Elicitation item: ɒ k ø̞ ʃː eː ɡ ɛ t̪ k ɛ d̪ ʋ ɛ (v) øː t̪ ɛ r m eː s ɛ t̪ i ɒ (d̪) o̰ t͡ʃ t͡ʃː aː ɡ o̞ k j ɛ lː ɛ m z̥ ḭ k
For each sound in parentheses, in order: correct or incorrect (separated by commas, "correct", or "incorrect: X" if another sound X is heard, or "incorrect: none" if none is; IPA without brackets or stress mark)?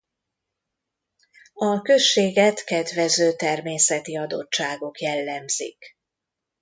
incorrect: z, correct